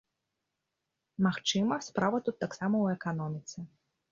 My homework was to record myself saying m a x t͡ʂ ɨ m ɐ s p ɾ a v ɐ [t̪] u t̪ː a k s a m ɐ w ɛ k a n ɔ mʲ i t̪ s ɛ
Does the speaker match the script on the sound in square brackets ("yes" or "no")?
yes